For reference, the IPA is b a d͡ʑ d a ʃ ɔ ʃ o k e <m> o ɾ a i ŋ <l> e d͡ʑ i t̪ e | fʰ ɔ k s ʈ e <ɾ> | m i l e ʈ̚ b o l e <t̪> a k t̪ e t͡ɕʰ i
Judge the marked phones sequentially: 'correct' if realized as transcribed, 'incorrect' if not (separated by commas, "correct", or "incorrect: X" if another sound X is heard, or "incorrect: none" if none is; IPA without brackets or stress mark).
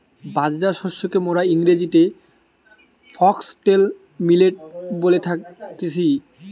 correct, incorrect: ɾ, incorrect: l, incorrect: t̪ʰ